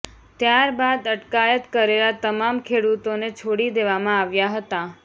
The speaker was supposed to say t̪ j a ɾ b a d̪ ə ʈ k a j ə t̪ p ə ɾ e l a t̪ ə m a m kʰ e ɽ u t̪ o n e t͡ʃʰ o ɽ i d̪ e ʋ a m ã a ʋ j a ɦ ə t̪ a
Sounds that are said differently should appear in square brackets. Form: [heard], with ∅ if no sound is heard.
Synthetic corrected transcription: t̪ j a ɾ b a d̪ ə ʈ k a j ə t̪ [k] ə ɾ e l a t̪ ə m a m kʰ e ɽ u t̪ o n e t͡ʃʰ o ɽ i d̪ e ʋ a m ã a ʋ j a ɦ ə t̪ a

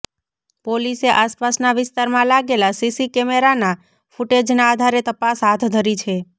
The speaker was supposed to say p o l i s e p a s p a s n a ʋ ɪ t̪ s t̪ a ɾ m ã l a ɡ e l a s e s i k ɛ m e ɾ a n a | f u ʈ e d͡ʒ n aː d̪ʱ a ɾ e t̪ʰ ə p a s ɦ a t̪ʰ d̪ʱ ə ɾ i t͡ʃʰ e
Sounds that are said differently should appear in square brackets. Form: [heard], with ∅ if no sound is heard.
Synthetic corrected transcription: p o l i s e [ʔ] a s p a s n a ʋ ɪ [∅] s t̪ a ɾ m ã l a ɡ e l a s [i] s i k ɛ m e ɾ a n a | f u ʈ e d͡ʒ n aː d̪ʱ a ɾ e [t̪] ə p a s ɦ a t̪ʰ d̪ʱ ə ɾ i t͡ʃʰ e

